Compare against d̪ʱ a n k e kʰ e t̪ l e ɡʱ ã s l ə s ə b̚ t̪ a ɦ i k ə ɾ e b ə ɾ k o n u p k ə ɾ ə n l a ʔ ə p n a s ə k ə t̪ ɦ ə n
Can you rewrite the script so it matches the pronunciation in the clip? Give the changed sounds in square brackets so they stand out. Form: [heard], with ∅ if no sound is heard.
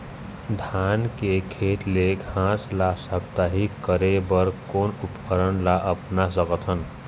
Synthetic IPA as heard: d̪ʱ a n k e kʰ e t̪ l e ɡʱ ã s l [a] s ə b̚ t̪ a ɦ i k ə ɾ e b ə ɾ k o n u p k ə ɾ ə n l a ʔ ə p n a s ə k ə t̪ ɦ ə n